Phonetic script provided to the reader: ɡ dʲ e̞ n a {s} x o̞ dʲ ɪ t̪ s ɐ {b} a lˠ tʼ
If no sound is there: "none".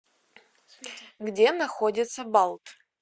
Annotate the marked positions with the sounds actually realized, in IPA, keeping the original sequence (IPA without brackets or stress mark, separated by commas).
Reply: none, b